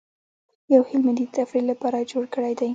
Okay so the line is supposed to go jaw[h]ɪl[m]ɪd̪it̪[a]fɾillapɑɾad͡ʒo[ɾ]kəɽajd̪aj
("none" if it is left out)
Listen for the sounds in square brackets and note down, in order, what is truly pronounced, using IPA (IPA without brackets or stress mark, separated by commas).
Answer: h, m, a, ɽ